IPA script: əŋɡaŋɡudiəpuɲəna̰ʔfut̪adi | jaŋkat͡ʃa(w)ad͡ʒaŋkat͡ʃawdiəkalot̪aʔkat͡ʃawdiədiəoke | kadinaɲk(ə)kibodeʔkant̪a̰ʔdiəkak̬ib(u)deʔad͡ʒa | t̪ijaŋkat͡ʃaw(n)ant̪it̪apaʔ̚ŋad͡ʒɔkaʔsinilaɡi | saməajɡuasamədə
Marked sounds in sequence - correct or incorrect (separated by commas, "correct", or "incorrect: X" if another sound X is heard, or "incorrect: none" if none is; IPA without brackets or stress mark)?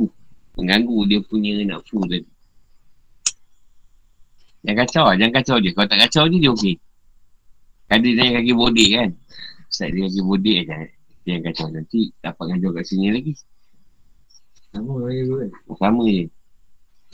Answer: correct, incorrect: a, incorrect: o, correct